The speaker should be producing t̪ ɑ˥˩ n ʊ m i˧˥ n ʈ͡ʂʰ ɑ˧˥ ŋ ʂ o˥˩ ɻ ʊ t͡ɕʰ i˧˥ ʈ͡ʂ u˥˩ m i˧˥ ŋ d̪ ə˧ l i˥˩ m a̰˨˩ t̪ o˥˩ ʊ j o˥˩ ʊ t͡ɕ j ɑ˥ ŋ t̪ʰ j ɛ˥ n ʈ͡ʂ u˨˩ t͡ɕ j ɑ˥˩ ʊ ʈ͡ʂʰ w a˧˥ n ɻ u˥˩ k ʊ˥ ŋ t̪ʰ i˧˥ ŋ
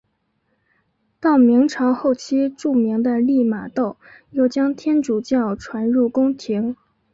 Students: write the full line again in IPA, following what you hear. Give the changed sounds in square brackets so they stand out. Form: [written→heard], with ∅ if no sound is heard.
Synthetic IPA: t̪ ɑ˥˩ [n→∅] ʊ m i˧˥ [n→ŋ] ʈ͡ʂʰ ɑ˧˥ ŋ [ʂ→x] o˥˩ [ɻ→∅] ʊ t͡ɕʰ [i˧˥→i˥] ʈ͡ʂ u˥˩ m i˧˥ ŋ d̪ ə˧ l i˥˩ m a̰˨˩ t̪ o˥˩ ʊ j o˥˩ ʊ t͡ɕ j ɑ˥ ŋ t̪ʰ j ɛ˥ n ʈ͡ʂ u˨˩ t͡ɕ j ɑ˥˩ ʊ ʈ͡ʂʰ w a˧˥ n ɻ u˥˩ k ʊ˥ ŋ t̪ʰ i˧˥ ŋ